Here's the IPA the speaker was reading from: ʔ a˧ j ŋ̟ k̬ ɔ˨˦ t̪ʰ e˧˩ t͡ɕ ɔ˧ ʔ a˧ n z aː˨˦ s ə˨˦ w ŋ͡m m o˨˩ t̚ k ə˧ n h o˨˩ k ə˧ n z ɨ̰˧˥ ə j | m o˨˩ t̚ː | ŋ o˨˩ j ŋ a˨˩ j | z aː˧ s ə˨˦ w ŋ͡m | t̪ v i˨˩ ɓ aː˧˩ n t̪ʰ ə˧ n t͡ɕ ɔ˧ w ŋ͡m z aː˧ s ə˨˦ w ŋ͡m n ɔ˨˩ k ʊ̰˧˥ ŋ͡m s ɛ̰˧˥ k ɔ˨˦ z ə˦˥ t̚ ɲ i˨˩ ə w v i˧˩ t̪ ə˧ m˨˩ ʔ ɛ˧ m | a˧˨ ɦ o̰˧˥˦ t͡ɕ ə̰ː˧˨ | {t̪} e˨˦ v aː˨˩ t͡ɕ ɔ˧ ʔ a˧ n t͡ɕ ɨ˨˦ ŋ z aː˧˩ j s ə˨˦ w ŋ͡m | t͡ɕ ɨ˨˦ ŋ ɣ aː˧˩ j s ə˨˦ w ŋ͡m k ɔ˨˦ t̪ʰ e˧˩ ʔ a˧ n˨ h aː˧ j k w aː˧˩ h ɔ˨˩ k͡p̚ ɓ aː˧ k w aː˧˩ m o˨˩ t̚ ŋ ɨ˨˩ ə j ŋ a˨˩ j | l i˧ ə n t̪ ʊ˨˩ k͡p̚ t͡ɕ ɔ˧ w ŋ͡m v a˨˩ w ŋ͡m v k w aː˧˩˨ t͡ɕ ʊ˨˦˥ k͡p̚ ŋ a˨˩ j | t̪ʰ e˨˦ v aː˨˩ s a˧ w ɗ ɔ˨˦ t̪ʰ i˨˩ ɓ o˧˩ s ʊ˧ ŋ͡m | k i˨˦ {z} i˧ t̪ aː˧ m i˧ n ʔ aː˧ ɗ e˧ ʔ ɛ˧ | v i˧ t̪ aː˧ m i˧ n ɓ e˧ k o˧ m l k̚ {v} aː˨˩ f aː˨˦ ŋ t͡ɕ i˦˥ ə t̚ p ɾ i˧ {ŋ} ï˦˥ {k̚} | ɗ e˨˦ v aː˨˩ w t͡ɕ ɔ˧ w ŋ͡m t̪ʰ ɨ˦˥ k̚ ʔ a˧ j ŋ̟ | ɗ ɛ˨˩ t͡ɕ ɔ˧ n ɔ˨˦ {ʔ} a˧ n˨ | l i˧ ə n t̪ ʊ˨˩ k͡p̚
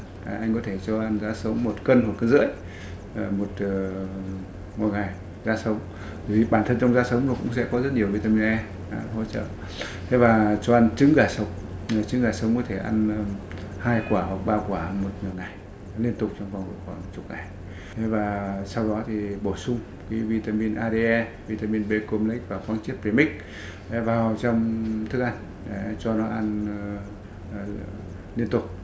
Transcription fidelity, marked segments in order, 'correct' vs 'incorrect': incorrect: t̪ʰ, incorrect: v, correct, incorrect: m, correct, correct

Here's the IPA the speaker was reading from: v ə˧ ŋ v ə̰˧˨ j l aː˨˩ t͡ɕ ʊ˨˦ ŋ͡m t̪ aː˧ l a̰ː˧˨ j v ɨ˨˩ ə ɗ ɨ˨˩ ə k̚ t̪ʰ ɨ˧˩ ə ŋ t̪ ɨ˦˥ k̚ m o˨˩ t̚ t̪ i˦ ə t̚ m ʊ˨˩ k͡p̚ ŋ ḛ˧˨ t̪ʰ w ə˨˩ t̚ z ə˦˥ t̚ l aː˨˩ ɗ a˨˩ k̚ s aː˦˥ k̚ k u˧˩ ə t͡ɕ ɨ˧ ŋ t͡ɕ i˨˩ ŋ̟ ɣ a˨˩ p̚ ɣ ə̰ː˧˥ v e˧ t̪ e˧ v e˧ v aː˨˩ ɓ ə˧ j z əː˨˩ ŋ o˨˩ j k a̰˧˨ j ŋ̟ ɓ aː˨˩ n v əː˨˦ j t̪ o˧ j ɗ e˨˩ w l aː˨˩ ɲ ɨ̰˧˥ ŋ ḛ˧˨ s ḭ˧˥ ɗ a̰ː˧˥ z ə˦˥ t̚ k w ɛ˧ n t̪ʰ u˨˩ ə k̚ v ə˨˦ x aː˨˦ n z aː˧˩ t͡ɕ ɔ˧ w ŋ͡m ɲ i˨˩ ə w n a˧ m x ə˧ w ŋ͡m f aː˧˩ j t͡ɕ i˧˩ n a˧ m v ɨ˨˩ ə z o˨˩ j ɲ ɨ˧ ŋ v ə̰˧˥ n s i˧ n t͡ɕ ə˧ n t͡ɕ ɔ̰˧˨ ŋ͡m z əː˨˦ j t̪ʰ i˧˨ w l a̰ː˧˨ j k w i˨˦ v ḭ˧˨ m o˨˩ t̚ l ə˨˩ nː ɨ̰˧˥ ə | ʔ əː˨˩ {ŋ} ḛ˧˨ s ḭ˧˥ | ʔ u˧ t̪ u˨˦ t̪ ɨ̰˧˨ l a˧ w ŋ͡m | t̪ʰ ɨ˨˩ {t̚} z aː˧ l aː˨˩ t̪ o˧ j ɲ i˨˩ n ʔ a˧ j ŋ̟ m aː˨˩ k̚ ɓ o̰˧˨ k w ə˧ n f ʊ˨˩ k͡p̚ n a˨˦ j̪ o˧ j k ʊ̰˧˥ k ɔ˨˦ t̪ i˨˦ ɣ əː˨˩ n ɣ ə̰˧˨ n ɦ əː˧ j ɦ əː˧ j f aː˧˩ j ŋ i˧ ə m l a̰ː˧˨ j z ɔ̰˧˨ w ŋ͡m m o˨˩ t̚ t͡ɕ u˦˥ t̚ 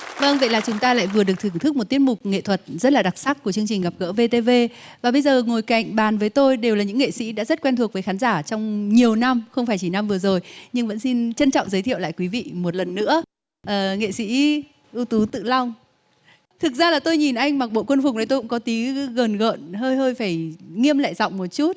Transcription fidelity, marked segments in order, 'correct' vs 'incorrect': correct, incorrect: k̚

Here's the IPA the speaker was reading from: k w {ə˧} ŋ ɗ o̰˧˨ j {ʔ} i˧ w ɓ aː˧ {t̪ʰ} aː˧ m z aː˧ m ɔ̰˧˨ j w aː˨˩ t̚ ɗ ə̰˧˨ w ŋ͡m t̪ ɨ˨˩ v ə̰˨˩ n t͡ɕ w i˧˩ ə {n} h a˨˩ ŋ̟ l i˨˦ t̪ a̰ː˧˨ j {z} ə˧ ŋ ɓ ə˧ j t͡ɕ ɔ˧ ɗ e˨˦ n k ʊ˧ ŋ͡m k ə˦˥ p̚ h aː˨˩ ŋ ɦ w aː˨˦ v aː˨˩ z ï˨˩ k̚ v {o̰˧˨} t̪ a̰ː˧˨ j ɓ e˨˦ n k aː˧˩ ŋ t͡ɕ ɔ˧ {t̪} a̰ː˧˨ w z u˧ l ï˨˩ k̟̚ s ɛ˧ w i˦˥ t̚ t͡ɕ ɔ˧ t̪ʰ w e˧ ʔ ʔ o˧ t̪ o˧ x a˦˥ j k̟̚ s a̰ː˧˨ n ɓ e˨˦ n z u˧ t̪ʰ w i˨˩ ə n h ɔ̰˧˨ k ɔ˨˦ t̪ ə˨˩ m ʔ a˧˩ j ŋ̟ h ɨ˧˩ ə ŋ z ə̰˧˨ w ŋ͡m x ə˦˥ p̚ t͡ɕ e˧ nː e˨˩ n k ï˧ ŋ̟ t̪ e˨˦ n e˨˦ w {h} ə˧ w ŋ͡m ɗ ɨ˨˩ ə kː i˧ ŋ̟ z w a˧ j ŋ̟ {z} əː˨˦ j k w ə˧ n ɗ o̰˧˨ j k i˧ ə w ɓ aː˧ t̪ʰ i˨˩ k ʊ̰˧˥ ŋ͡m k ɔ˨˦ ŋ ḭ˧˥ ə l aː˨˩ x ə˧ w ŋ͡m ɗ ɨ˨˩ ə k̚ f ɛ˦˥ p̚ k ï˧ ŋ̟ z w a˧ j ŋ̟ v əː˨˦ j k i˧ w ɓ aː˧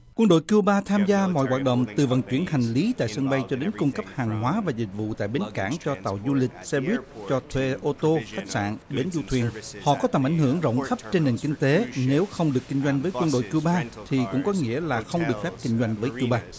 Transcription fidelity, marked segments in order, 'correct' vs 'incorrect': correct, incorrect: k, correct, correct, incorrect: s, incorrect: ṵ˧˨, correct, incorrect: x, incorrect: v

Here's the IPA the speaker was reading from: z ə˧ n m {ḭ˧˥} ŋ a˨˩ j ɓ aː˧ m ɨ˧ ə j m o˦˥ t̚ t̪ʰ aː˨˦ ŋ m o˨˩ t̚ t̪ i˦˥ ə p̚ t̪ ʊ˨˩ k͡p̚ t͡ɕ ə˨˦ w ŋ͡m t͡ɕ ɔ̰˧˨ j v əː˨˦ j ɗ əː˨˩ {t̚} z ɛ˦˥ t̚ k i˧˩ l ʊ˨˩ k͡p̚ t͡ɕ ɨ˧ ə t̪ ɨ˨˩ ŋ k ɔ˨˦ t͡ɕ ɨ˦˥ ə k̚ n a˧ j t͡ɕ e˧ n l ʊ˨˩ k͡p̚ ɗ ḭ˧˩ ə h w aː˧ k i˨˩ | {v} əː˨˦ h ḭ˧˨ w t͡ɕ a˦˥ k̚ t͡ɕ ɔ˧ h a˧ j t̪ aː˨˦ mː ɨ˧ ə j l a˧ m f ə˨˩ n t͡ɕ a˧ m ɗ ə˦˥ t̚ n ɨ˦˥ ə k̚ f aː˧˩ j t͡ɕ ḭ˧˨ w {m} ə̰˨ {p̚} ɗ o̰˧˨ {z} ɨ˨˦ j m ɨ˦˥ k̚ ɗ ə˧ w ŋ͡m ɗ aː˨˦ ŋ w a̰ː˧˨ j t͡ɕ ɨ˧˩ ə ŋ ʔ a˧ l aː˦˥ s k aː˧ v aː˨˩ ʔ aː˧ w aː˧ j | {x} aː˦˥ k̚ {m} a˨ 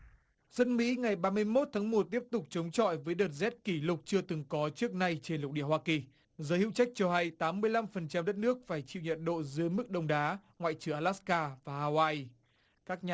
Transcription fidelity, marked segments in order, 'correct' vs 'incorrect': correct, correct, incorrect: z, incorrect: ɲ, incorrect: t̚, correct, incorrect: k, incorrect: ɲ

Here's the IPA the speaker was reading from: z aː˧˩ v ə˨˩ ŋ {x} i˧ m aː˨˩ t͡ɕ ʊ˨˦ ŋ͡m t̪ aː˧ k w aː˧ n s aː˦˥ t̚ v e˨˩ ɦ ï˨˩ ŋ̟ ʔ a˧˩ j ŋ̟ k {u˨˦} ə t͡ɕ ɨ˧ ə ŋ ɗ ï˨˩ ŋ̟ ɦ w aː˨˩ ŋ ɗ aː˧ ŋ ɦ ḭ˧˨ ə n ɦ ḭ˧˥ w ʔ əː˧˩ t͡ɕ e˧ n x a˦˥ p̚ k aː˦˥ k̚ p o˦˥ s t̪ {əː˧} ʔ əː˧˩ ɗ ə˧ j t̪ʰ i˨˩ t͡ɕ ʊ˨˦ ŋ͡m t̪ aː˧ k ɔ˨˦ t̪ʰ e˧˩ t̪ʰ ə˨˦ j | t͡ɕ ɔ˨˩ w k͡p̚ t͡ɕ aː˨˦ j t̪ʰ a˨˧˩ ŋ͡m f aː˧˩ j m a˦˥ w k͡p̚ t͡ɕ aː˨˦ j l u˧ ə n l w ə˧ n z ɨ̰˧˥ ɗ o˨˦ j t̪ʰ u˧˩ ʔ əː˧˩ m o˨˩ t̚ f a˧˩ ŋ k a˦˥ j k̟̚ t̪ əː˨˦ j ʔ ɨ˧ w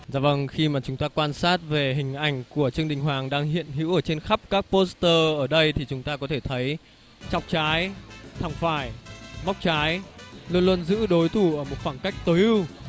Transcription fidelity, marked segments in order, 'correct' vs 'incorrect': correct, incorrect: u˧˩, correct

